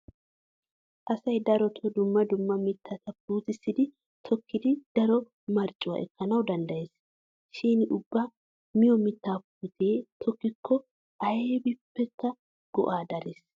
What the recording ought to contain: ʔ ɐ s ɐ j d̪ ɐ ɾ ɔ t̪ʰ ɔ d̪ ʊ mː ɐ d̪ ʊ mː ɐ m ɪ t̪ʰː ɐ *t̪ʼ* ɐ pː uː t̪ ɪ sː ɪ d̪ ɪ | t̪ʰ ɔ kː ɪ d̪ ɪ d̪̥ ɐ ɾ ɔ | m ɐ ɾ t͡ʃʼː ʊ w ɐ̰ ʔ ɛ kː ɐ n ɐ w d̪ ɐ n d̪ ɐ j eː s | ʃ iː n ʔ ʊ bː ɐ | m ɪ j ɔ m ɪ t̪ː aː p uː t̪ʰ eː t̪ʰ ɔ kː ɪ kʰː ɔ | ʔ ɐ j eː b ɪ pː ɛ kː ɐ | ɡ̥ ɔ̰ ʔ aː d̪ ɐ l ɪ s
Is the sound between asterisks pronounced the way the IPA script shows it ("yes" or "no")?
no